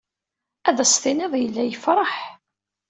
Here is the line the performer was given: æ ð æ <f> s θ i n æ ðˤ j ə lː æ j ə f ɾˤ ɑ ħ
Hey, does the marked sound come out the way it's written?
no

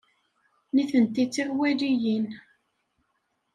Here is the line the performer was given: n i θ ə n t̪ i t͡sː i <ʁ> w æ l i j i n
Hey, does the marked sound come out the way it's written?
yes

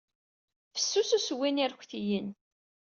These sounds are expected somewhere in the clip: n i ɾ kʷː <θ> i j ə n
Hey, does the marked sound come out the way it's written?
yes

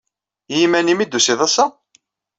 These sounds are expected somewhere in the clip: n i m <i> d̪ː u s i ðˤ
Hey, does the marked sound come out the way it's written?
yes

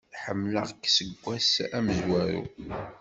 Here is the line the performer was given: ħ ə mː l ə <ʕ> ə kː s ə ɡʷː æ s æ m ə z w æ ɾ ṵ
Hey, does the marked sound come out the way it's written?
no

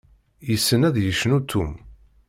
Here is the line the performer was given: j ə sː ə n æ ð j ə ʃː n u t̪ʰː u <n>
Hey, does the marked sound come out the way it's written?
no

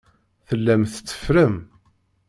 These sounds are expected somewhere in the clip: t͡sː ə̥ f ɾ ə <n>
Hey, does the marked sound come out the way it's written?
no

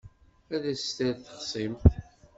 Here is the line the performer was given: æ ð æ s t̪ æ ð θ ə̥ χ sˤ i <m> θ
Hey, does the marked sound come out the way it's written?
yes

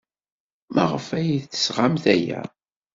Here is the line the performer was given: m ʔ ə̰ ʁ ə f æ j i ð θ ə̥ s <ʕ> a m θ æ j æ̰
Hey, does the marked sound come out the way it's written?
no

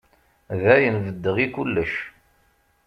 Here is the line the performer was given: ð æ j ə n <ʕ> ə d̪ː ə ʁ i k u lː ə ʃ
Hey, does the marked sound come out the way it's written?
no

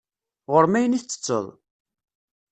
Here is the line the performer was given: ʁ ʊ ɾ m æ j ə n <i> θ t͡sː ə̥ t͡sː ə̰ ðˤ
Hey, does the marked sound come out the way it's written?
yes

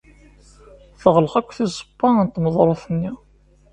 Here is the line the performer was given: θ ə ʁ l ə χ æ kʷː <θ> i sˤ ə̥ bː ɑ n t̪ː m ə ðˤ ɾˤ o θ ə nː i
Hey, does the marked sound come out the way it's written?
yes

